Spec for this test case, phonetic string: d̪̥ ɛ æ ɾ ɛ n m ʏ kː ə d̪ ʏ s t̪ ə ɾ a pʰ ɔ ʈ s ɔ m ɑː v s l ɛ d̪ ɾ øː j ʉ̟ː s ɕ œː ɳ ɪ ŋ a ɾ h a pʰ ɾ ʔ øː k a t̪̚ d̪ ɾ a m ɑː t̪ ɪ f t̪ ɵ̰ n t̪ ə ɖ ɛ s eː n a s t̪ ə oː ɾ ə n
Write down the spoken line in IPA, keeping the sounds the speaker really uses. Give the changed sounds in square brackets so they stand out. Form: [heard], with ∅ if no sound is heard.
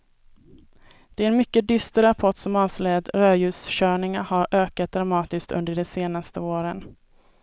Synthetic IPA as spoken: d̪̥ ɛ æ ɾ ɛ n m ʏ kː ə d̪ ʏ s t̪ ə ɾ a pʰ ɔ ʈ s ɔ m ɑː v s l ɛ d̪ ɾ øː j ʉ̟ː s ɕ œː ɳ ɪ ŋ a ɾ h a [∅] ɾ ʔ øː k a t̪̚ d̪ ɾ a m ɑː t̪ ɪ [s] t̪ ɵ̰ n [d̪] ə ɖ ɛ s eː n a s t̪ ə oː ɾ ə n